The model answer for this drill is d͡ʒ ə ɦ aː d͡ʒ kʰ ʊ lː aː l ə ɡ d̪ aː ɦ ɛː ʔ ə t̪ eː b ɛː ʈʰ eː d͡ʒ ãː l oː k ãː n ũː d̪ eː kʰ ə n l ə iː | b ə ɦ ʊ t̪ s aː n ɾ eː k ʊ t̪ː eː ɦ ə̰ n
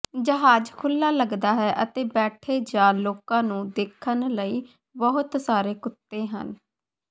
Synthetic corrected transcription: d͡ʒ ə ɦ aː d͡ʒ kʰ ʊ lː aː l ə ɡ d̪ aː ɦ ɛː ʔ ə t̪ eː b ɛː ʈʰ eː d͡ʒ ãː l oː k ãː n ũː d̪ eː kʰ ə n l ə iː | b ə ɦ ʊ t̪ s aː ɾ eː k ʊ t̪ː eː ɦ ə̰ n